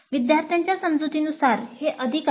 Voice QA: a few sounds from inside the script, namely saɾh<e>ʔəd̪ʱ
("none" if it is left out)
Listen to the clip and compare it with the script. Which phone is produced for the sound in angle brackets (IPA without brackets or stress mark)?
e